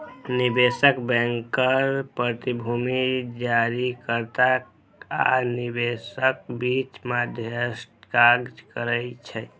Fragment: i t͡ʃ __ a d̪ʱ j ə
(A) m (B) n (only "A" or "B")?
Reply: A